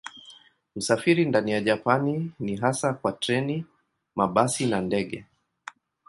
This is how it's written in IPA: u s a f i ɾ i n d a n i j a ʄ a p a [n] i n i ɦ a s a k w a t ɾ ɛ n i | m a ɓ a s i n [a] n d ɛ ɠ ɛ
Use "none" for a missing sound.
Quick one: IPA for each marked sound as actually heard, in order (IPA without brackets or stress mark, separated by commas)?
n, a